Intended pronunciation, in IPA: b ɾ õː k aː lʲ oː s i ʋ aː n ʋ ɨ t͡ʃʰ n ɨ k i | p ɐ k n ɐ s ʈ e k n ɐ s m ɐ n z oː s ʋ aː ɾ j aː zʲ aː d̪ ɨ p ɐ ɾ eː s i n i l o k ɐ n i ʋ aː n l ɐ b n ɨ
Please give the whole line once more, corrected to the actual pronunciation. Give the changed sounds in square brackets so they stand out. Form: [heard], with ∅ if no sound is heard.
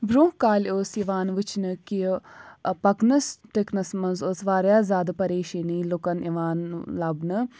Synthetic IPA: b ɾ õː k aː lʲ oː s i ʋ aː n ʋ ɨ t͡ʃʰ n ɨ k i | p ɐ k n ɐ s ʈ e k n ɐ s m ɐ n z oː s ʋ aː ɾ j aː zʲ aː d̪ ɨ p ɐ ɾ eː [ʃ] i n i l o k ɐ n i ʋ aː n l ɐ b n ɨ